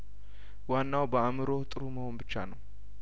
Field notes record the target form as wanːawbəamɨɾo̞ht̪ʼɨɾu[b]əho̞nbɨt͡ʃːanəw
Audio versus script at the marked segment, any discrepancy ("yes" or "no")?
yes